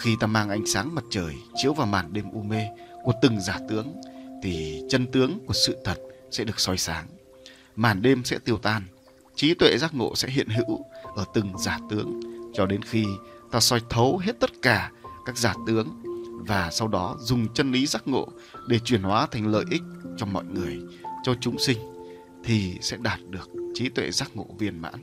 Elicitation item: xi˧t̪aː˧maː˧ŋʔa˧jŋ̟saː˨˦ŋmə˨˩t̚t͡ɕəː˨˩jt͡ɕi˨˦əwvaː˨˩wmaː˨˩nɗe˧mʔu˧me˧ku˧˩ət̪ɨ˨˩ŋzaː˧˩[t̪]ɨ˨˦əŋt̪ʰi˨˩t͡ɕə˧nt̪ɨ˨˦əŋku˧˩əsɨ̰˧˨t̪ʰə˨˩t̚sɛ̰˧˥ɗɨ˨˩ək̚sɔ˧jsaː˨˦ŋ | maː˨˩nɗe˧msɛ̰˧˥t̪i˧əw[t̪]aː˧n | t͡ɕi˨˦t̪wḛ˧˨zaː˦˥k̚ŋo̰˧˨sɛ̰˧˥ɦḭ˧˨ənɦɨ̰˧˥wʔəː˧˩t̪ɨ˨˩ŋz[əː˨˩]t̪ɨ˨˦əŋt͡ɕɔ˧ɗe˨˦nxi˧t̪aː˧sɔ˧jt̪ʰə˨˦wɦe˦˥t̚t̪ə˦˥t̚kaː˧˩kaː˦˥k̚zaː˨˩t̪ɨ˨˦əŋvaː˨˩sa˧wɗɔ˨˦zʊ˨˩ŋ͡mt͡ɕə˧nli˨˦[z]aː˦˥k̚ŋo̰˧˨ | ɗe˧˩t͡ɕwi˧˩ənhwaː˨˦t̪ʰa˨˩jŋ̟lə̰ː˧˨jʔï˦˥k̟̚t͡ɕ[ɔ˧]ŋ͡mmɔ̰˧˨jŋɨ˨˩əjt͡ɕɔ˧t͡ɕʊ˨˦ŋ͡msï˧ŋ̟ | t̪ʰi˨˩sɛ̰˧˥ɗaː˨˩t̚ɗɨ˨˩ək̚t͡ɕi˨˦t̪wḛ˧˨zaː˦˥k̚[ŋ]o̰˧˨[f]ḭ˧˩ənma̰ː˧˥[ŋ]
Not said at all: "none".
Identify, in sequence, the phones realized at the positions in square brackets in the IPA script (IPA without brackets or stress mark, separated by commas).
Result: t̪, t̪, aː˨˩, z, ɔ˧, ŋ, v, n